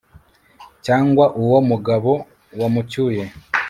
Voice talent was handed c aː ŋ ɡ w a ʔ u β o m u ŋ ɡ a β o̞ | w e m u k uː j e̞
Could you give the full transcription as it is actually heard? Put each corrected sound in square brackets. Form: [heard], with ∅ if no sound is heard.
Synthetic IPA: c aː ŋ ɡ w a ʔ u [w] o m u [∅] ɡ a β o̞ | w [a] m u [c] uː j e̞